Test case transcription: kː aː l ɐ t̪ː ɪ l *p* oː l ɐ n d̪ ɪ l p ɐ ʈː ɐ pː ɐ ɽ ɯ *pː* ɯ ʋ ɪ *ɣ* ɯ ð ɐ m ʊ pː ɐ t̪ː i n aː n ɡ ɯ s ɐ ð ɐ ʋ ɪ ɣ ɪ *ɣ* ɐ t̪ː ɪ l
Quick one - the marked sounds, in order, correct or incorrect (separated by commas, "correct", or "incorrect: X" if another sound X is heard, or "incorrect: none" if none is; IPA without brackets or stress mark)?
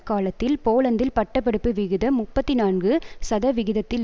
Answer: correct, correct, correct, incorrect: ð